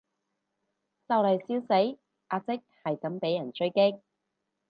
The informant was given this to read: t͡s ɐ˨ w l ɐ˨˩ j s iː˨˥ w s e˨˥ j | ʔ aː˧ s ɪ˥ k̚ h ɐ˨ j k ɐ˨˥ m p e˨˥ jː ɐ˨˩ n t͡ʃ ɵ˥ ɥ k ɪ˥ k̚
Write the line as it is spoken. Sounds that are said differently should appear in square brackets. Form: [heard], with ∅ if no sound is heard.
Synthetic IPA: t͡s ɐ˨ w l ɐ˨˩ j s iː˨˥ w s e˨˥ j | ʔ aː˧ [t͡s] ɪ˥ k̚ h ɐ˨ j k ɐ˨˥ m p e˨˥ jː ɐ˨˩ n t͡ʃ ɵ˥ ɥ k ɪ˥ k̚